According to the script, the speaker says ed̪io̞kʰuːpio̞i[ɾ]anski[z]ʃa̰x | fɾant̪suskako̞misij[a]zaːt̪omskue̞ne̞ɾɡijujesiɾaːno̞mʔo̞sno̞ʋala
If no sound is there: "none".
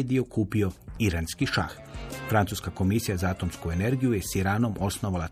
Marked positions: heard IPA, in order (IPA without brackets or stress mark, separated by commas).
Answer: ɾ, none, a